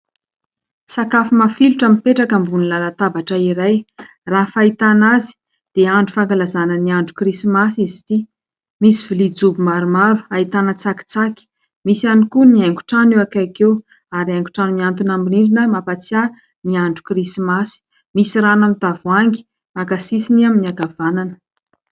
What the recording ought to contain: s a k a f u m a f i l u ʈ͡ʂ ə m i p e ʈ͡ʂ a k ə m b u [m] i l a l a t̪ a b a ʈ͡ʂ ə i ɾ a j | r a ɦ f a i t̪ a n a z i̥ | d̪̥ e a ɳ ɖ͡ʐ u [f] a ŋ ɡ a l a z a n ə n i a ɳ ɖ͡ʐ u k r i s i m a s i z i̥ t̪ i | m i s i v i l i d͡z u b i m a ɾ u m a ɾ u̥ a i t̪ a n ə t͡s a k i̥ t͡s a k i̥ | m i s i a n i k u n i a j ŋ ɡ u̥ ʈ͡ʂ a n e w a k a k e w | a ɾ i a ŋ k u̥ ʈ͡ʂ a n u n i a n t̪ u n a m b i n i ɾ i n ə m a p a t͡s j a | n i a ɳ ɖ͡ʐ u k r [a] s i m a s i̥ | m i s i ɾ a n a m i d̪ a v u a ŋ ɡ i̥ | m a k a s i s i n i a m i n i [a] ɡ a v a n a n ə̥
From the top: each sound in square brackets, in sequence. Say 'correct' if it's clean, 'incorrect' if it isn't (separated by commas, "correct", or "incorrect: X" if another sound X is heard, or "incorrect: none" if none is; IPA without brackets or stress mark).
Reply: incorrect: n, correct, incorrect: i, correct